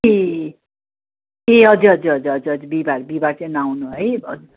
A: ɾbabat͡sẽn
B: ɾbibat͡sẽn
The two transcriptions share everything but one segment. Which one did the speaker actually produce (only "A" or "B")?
B